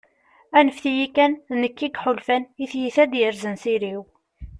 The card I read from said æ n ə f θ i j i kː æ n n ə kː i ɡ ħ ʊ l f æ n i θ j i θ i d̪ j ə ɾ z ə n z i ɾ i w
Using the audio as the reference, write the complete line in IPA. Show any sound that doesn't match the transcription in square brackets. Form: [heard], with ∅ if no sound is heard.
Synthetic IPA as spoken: æ n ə f θ i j i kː æ n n ə kː i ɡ ħ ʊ l f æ n i θ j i θ [æ] d̪ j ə ɾ z ə n [s] i ɾ i w